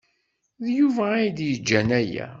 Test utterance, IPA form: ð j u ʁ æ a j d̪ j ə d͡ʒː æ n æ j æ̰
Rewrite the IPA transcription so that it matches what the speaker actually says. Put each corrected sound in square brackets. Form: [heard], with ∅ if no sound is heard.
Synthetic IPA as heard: ð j u [v] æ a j d̪ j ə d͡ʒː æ n æ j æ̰